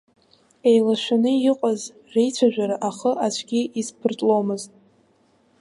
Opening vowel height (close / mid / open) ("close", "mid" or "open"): mid